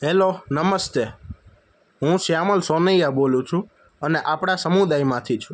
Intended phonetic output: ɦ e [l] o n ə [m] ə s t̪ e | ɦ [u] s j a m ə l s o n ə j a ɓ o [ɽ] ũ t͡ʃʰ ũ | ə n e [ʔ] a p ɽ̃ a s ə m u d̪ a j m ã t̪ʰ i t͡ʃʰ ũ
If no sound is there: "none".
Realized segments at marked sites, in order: l, m, ũ, l, ʔ

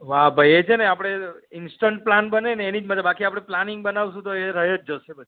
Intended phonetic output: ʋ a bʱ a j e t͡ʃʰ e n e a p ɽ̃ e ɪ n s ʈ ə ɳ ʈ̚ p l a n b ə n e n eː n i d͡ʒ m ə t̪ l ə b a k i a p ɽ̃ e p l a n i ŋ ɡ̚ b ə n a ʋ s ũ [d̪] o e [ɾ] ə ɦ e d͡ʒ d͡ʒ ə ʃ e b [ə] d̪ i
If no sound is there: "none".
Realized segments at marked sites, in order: t̪, ɾ, ə

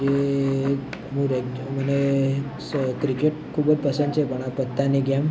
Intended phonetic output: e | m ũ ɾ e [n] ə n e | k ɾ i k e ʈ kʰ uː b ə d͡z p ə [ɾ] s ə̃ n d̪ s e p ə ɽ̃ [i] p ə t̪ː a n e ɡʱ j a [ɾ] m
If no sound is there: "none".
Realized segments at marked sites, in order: m, none, a, none

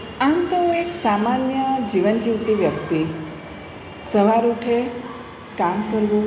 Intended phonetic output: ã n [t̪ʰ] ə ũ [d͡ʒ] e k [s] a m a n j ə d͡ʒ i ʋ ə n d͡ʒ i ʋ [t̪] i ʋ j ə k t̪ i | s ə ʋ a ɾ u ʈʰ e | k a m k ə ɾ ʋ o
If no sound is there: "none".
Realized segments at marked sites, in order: t̪, none, s, t̪

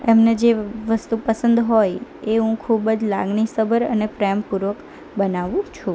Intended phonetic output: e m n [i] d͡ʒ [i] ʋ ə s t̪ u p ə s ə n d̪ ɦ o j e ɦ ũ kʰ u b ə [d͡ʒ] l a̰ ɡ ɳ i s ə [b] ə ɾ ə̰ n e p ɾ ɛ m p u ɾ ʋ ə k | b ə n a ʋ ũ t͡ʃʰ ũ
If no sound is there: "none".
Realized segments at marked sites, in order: e, e, d͡ʒ, b

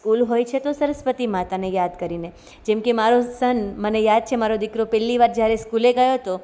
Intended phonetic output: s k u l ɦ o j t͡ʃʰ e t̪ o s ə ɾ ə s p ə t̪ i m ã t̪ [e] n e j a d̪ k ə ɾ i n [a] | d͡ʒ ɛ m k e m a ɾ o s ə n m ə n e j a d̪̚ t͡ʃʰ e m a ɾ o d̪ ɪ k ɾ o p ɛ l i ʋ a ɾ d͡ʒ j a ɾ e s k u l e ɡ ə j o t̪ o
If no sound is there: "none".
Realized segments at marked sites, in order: a, e

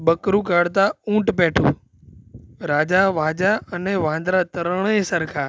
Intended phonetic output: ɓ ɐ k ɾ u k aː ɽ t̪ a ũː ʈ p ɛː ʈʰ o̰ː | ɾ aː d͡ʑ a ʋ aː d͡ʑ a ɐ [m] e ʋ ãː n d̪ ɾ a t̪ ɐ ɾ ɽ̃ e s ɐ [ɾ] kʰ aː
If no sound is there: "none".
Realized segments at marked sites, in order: n, ɾ

